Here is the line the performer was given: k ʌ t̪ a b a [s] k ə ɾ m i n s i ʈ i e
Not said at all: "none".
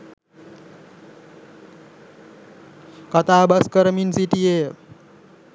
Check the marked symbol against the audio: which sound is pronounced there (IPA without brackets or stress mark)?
s